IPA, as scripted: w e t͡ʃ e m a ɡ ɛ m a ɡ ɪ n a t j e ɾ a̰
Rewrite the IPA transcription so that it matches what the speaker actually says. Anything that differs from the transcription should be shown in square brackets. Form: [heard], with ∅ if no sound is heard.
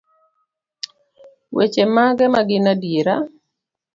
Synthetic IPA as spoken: w e t͡ʃ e m a ɡ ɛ m a ɡ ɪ n a [d] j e ɾ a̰